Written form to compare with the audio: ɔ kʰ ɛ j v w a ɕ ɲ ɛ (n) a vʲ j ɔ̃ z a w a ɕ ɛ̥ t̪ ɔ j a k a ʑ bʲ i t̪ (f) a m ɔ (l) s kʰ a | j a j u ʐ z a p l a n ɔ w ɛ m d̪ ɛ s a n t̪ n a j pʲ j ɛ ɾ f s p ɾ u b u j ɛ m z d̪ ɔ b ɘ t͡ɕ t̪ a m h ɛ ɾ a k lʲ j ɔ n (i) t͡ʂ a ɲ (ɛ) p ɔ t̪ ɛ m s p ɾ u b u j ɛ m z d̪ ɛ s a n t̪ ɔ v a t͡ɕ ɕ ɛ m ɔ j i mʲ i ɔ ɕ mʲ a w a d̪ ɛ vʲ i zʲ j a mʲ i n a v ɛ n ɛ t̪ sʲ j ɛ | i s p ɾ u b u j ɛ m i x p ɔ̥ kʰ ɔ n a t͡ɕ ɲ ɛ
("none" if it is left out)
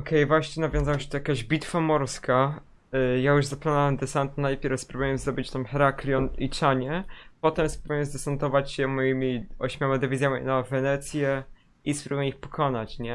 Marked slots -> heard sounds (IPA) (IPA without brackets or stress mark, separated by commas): n, f, ɾ, i, ɛ